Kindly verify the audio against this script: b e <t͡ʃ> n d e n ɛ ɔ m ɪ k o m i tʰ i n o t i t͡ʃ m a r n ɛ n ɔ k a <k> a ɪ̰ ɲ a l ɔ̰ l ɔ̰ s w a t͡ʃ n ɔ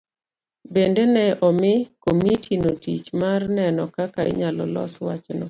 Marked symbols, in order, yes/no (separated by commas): no, yes